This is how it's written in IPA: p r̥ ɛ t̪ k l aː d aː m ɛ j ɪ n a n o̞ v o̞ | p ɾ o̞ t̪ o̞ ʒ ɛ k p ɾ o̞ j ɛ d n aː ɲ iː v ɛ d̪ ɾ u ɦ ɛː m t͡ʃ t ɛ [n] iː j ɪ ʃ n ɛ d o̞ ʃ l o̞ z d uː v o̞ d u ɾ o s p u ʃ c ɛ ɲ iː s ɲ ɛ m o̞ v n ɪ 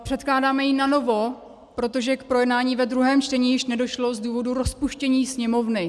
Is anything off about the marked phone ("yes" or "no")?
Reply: yes